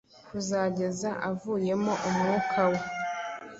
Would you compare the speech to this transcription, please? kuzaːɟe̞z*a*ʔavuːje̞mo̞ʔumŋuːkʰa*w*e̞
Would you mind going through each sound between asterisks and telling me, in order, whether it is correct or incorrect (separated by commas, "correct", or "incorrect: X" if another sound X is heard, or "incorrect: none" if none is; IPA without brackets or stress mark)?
correct, correct